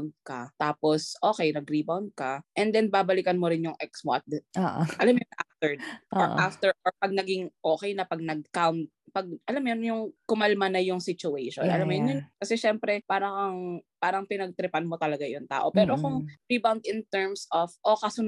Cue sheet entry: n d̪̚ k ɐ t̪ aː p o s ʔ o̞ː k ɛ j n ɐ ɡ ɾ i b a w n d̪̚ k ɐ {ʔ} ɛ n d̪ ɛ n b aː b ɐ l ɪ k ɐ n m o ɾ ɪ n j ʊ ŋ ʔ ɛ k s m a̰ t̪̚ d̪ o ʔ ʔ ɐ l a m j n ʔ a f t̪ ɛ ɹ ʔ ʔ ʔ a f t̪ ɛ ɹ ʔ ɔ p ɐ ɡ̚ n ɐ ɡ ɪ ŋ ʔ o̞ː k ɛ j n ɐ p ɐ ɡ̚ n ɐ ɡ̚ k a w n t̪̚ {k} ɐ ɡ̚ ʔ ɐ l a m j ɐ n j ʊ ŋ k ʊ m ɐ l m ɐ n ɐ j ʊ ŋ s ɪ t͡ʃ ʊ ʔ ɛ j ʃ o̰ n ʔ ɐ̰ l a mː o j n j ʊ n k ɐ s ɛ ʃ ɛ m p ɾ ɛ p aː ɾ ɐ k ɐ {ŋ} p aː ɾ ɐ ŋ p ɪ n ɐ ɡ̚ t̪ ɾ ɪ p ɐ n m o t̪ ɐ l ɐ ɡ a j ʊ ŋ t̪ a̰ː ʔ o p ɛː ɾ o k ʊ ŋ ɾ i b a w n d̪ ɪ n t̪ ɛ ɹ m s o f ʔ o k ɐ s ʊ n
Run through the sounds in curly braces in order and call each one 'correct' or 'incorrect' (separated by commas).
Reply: correct, incorrect, correct